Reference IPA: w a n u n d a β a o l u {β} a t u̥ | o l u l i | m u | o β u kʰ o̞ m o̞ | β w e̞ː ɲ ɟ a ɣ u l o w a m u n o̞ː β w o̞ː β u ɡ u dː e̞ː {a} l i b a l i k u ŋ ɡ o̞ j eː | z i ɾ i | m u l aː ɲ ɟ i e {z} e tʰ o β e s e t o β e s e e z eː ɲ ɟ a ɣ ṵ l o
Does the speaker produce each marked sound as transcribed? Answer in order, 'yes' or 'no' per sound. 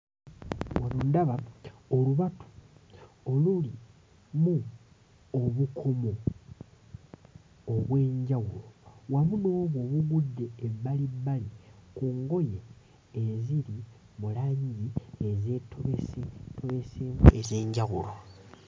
yes, yes, yes

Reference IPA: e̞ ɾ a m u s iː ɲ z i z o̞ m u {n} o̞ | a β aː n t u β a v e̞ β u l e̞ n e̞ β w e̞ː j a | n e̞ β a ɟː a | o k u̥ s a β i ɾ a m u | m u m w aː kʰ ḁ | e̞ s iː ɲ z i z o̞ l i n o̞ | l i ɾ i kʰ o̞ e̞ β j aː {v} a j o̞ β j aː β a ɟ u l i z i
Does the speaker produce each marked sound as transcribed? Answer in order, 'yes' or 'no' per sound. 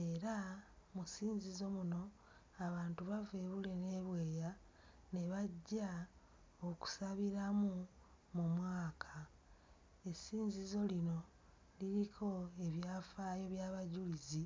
yes, no

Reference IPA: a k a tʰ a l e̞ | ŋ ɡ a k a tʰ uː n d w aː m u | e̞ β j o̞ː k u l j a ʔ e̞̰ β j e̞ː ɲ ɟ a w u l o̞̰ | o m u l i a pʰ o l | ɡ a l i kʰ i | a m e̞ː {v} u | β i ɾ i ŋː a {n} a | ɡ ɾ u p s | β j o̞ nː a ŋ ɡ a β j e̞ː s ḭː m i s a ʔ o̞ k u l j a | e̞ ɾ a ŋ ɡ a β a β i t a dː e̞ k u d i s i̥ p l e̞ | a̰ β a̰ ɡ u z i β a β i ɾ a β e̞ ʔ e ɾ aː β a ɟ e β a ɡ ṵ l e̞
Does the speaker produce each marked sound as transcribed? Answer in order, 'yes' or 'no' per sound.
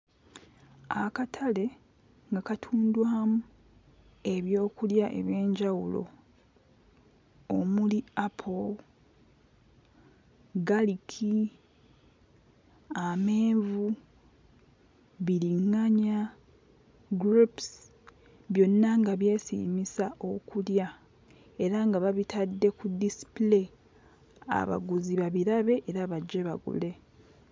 yes, no

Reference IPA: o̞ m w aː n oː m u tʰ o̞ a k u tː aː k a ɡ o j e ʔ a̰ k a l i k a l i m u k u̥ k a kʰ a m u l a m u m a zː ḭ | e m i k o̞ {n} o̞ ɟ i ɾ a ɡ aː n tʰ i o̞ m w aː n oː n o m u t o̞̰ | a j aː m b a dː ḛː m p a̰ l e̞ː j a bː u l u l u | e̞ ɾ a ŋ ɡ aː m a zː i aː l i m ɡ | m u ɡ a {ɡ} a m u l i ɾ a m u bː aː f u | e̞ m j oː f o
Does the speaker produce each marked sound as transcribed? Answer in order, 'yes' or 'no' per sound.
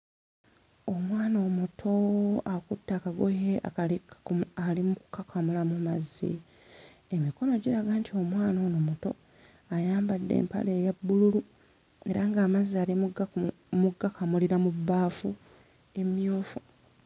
yes, no

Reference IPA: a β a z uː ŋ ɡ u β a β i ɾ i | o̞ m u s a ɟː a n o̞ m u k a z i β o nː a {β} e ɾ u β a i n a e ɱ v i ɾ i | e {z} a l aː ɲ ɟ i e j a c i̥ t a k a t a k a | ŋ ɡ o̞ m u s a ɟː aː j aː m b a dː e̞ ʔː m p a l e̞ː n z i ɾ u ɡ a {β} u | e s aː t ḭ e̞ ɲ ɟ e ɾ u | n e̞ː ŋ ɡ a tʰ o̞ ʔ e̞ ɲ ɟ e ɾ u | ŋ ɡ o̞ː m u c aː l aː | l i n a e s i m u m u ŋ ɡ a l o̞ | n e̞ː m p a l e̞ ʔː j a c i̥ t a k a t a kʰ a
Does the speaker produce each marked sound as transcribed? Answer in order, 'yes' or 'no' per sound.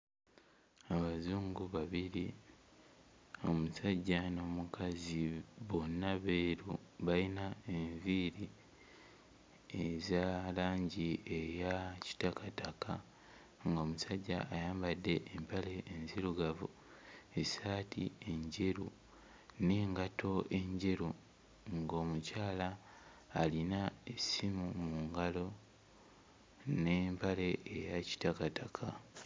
yes, yes, no

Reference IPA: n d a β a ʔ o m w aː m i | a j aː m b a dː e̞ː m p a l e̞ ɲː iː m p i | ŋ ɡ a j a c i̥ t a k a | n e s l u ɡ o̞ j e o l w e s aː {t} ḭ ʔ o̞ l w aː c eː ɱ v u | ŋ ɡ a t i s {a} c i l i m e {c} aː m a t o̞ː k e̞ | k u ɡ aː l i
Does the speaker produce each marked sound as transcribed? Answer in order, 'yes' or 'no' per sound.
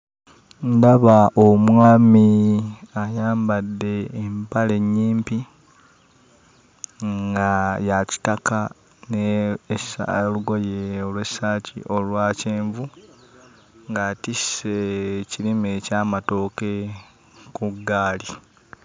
no, no, yes

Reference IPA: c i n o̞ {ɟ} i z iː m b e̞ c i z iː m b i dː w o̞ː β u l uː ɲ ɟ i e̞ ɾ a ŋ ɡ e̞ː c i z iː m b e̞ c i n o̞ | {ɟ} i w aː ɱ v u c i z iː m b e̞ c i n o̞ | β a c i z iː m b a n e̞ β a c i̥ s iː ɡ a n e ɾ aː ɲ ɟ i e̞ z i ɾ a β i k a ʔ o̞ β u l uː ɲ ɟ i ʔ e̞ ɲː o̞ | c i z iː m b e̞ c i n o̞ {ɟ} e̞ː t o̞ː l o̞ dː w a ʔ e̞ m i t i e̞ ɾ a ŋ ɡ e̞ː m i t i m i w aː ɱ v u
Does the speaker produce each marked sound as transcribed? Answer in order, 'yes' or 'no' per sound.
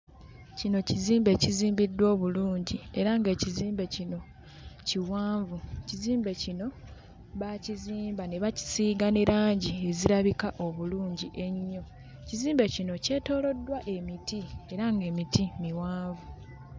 no, no, no

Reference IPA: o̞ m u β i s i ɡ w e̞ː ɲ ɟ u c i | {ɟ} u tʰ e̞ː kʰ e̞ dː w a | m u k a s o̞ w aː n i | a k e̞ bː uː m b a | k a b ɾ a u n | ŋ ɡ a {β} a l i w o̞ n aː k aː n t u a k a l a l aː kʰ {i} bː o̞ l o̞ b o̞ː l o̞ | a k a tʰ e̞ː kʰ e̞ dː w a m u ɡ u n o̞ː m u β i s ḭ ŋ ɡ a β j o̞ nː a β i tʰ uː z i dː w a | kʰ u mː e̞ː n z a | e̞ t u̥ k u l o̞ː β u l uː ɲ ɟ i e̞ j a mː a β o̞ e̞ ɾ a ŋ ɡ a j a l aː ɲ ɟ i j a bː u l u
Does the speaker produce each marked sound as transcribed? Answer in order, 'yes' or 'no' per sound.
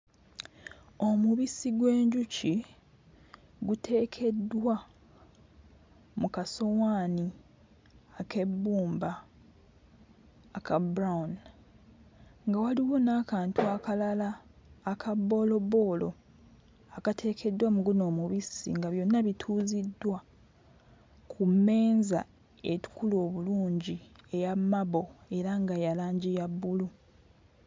no, no, no

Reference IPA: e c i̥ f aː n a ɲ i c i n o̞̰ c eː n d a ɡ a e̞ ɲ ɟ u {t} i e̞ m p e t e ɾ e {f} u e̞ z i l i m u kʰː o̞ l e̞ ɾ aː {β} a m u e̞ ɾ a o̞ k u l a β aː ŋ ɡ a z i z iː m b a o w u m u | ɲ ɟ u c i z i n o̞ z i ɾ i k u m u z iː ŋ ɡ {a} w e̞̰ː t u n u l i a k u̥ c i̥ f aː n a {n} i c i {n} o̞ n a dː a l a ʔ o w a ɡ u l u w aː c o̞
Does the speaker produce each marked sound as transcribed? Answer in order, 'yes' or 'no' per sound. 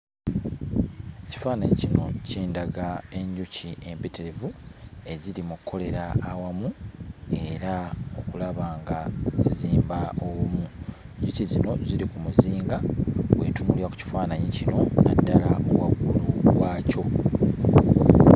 no, no, no, yes, no, yes

